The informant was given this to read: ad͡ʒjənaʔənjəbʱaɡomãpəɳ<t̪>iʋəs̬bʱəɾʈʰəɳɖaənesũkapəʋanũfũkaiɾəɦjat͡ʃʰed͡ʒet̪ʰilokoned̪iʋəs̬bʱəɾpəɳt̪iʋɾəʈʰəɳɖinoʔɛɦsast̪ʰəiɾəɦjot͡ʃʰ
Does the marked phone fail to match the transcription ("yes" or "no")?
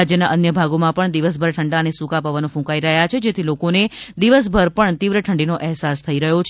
yes